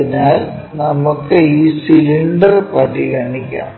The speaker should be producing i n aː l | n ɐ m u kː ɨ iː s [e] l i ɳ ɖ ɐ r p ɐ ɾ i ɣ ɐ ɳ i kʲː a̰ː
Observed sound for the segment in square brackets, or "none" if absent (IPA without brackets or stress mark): i